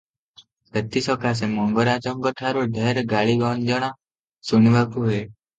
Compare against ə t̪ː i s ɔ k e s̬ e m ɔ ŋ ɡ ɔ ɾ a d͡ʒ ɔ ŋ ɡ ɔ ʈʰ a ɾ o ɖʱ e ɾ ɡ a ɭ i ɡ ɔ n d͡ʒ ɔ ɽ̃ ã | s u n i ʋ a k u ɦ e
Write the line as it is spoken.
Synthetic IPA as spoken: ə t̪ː i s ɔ k a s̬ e m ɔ ŋ ɡ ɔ ɾ a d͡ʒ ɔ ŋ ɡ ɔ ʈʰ a ɾ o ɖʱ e ɾ ɡ a ɭ i ɡ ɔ n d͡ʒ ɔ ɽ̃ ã | s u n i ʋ a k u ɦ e